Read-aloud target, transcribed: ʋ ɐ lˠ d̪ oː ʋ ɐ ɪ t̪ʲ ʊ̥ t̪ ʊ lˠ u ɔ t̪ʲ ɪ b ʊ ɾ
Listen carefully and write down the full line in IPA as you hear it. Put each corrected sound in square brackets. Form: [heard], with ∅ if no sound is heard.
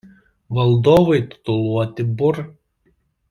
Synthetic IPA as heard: ʋ ɐ lˠ d̪ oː ʋ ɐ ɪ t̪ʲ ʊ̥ t̪ ʊ lˠ u ɔ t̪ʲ ɪ b ʊ ɾ